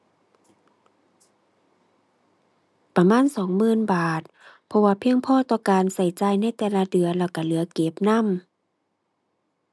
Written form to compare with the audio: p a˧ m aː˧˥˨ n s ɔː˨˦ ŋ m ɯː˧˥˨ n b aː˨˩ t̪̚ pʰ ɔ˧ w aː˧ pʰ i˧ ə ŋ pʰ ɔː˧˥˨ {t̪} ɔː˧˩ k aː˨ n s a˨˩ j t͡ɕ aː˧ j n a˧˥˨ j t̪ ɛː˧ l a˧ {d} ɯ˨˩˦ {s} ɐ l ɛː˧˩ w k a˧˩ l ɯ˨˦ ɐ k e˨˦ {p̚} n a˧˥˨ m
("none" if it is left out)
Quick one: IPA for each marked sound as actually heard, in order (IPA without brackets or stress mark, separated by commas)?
t̪, d, none, p̚